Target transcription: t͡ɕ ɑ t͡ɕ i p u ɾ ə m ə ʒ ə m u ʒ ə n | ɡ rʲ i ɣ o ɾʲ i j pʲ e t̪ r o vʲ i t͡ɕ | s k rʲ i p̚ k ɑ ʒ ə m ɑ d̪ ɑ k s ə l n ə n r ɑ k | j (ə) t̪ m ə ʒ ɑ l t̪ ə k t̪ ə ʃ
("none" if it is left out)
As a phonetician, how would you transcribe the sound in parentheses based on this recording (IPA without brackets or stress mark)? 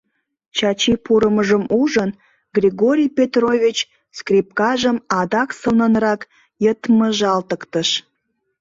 ə